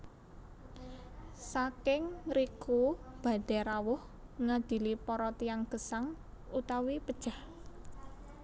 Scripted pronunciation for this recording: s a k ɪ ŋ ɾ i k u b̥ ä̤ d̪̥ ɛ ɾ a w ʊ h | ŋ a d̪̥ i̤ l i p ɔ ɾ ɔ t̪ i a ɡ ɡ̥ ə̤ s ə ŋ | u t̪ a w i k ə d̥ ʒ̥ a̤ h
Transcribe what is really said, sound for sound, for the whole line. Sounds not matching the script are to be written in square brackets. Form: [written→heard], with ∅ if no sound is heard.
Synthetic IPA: s a k ɪ ŋ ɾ i k u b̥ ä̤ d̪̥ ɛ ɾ a w ʊ h | ŋ a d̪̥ i̤ l i p ɔ ɾ ɔ t̪ i a [ɡ→ŋ] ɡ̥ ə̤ s [ə→a] ŋ | u t̪ a w i [k→p] ə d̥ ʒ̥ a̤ h